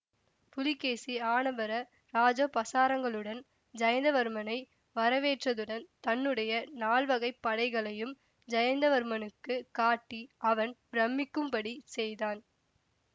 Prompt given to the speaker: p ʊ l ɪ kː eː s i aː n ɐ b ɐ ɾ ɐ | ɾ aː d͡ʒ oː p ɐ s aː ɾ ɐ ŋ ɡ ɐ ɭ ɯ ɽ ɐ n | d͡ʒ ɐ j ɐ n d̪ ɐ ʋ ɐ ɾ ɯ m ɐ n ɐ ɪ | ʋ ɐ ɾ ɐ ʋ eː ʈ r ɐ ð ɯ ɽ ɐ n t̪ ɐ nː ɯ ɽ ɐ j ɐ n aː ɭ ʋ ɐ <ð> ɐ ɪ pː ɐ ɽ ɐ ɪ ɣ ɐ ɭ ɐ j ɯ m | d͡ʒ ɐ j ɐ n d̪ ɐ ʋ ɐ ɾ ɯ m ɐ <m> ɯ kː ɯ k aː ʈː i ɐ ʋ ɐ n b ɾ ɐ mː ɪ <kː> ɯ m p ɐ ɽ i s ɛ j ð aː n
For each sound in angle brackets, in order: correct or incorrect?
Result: incorrect, incorrect, correct

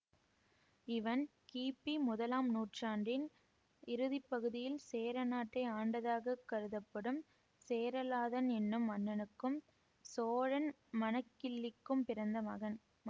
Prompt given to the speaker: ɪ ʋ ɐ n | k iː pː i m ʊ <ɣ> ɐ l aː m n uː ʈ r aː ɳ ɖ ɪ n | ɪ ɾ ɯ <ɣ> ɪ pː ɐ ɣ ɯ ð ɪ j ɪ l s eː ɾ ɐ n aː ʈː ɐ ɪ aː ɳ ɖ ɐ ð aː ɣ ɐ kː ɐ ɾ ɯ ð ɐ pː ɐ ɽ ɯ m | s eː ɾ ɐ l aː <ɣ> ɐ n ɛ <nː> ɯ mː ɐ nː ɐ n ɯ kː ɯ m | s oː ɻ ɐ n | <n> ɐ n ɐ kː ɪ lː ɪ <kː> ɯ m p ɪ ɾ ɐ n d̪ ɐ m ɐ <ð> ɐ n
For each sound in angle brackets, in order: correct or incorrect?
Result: incorrect, incorrect, incorrect, correct, incorrect, correct, incorrect

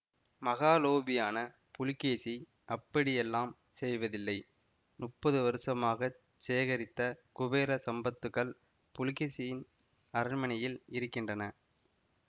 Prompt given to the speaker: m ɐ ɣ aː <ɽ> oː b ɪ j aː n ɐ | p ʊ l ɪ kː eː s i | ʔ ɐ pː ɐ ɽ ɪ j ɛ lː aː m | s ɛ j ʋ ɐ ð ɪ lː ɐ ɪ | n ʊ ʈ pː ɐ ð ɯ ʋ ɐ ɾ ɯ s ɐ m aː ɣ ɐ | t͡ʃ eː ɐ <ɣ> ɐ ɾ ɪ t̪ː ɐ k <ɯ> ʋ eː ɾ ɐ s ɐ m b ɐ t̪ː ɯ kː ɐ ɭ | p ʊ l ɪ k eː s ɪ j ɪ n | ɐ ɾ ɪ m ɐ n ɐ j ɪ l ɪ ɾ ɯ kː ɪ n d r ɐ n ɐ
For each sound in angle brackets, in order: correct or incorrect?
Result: incorrect, correct, incorrect

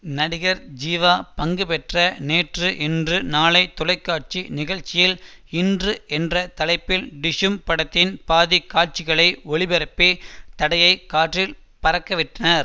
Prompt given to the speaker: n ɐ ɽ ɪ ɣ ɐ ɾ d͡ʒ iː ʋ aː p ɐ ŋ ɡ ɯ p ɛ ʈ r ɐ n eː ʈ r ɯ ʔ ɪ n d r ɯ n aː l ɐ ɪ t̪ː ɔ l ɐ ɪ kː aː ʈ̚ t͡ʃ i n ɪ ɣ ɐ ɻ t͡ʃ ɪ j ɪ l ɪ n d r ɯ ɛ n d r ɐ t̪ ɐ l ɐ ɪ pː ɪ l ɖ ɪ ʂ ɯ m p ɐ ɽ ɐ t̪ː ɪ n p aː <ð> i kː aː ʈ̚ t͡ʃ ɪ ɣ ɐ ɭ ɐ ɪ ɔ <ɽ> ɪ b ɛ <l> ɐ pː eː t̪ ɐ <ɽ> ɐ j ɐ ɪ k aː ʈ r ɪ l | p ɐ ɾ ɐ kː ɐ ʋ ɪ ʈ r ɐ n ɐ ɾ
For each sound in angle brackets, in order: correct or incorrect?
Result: correct, incorrect, incorrect, correct

